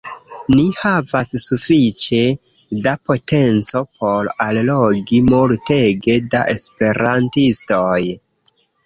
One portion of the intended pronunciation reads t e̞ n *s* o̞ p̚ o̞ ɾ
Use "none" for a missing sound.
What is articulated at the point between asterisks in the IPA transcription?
t͡s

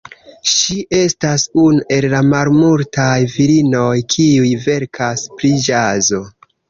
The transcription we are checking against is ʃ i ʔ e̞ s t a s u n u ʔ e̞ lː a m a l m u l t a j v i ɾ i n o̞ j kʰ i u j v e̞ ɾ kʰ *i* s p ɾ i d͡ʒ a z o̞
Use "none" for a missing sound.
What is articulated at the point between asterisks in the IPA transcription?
a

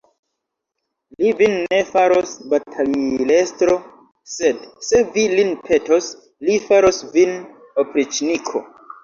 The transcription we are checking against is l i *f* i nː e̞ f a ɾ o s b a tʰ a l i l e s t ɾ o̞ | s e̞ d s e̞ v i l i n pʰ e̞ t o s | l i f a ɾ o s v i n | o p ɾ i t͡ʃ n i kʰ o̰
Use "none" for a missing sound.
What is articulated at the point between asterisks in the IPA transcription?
v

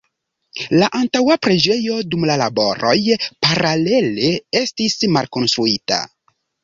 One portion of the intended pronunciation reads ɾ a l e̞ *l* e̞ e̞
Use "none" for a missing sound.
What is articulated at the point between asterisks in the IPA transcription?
l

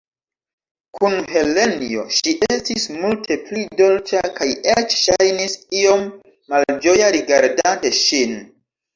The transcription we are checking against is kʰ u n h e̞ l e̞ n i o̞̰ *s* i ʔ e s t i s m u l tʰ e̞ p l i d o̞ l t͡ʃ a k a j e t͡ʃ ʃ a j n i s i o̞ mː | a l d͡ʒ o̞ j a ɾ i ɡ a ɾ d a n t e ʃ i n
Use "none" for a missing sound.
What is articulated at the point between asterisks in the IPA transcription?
ʃ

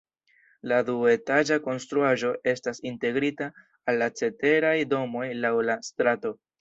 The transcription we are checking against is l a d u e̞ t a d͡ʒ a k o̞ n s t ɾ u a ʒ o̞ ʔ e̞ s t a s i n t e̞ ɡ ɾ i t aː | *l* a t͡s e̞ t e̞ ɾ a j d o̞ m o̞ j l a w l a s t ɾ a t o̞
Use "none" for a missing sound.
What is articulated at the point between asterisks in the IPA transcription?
lː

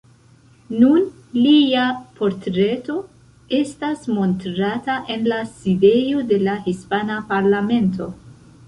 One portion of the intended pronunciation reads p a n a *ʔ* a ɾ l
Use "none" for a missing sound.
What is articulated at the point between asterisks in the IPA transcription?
p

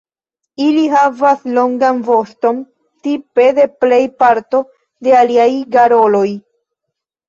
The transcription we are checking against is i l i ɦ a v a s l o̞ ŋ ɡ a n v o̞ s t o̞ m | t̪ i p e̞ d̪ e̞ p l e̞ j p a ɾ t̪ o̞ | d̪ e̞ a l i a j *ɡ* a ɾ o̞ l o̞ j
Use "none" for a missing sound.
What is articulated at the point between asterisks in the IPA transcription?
ɡ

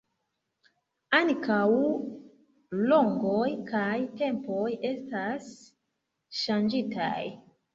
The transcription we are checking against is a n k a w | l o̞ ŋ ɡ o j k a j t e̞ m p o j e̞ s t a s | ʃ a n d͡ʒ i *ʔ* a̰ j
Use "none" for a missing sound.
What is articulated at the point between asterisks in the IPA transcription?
t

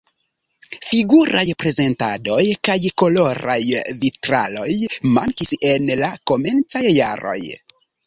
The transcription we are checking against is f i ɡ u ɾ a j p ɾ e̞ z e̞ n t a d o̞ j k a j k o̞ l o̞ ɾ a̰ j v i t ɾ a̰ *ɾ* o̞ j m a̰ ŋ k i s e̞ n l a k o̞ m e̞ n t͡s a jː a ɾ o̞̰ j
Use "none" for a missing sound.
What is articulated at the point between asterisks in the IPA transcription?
l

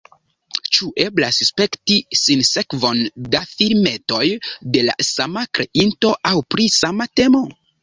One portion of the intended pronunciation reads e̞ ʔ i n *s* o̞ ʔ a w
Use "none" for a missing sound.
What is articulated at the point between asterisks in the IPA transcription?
t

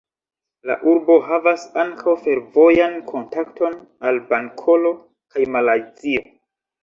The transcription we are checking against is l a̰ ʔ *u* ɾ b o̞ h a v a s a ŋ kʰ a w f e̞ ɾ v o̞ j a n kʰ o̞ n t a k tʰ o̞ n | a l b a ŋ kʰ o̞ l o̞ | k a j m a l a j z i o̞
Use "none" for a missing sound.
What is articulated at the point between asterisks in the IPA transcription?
u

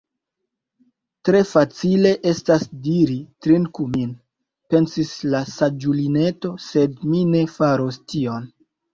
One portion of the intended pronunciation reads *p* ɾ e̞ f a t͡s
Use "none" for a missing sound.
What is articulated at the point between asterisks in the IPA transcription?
t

